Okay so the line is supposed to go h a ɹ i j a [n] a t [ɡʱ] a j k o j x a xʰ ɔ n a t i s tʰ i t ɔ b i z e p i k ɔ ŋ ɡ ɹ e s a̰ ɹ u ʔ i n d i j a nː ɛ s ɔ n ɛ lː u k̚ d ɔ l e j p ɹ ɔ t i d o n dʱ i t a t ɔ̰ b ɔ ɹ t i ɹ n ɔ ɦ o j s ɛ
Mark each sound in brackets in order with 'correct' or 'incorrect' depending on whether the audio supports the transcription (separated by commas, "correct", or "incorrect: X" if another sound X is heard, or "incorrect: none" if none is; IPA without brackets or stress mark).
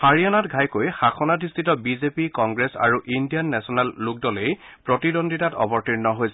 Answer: correct, correct